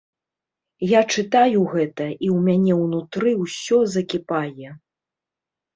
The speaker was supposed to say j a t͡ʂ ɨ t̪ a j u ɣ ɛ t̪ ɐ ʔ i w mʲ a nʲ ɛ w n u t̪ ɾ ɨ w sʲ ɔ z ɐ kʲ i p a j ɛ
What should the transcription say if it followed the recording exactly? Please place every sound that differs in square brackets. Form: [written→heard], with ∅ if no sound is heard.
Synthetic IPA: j a t͡ʂ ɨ t̪ a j u ɣ ɛ t̪ ɐ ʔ i w mʲ a nʲ ɛ w n u t̪ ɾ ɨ w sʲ ɔ z ɐ kʲ i p a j ɛ